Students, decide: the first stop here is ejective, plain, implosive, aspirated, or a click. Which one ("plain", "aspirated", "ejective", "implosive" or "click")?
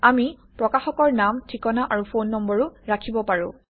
plain